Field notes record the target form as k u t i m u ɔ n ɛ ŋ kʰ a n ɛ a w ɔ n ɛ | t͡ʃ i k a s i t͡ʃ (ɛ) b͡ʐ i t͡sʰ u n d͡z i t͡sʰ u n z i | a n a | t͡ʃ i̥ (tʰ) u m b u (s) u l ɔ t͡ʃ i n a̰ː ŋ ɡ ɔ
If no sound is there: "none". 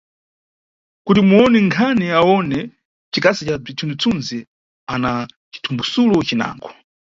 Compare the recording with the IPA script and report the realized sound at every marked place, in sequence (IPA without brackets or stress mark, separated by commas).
a, tʰ, s